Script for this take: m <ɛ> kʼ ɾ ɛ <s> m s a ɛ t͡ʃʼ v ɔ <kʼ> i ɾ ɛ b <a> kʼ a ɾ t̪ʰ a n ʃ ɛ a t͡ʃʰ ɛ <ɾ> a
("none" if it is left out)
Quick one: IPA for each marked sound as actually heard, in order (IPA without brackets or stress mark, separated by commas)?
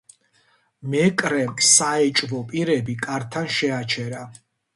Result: ɛ, none, pʼ, i, ɾ